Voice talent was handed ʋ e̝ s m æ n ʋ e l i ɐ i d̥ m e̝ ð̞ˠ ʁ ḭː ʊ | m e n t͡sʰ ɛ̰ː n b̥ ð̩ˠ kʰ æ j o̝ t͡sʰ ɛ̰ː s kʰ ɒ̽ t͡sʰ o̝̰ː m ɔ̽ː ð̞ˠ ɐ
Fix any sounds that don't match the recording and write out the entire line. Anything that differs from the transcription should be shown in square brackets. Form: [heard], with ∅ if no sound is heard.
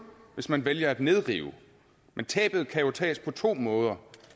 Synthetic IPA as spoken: ʋ e̝ s m æ n ʋ e l [j] ɐ [æ] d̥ [n] e̝ ð̞ˠ ʁ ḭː ʊ | m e n t͡sʰ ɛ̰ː [∅] b̥ ð̩ˠ kʰ æ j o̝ t͡sʰ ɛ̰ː s [pʰ] ɒ̽ t͡sʰ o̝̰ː m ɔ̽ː ð̞ˠ ɐ